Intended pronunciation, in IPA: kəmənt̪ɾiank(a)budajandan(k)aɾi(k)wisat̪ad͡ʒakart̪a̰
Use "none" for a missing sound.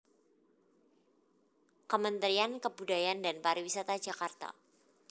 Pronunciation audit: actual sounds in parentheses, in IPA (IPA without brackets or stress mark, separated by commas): ə, p, none